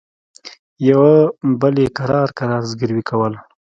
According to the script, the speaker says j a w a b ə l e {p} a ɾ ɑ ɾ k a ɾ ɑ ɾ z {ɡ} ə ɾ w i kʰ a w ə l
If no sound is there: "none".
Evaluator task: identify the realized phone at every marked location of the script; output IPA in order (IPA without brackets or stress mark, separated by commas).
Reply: k, ɡ